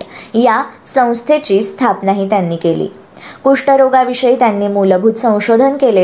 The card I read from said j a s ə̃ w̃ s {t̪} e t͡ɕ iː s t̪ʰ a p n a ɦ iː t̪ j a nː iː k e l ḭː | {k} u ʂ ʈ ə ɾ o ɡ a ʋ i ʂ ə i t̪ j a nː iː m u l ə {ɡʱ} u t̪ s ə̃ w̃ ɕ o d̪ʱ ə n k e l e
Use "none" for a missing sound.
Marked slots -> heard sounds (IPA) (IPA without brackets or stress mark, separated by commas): t̪ʰ, k, bʱ